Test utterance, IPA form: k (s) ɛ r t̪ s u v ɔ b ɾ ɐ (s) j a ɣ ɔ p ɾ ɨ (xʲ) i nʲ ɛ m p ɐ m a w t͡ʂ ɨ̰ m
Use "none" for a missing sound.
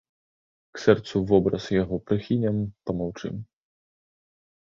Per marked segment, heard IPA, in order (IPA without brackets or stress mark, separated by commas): s, s, xʲ